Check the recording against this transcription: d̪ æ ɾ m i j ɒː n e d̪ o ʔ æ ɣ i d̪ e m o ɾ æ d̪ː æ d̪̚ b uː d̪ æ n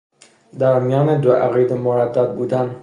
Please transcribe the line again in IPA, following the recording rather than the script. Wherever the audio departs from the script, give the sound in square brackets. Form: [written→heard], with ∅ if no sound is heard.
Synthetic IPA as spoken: d̪ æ ɾ m i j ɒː n e d̪ o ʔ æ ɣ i d̪ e m o ɾ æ d̪ː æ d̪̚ b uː d̪ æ n